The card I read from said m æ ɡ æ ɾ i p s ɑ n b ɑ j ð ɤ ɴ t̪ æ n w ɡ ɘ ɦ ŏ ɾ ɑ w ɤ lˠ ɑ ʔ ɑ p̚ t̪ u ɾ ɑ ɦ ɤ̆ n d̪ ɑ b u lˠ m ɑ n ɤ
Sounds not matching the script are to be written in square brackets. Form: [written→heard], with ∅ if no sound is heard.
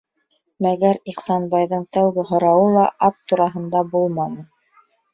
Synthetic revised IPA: m æ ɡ æ ɾ i [p→q] s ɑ n b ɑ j ð ɤ ɴ t̪ æ [n→∅] w ɡ ɘ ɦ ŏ ɾ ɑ w ɤ lˠ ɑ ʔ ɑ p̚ t̪ u ɾ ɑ ɦ ɤ̆ n d̪ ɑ b u lˠ m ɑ n ɤ